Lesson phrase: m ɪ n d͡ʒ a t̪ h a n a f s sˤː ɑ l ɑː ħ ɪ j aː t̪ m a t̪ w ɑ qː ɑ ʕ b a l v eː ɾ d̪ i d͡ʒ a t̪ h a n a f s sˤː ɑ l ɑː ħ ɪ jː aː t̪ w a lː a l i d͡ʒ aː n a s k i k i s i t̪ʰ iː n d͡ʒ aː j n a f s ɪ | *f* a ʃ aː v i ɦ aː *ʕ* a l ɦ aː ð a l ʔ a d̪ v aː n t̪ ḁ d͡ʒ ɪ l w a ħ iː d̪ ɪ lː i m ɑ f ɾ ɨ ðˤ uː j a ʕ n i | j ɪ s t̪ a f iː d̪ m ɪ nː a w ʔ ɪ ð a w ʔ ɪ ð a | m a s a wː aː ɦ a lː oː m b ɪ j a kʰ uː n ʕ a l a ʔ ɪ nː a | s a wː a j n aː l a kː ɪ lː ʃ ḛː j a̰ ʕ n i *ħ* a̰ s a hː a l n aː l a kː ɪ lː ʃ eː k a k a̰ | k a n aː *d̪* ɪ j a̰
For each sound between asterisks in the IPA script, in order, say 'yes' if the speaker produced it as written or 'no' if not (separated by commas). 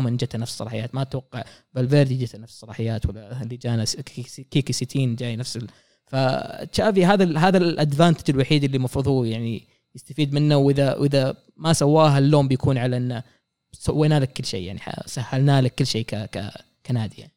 yes, no, yes, yes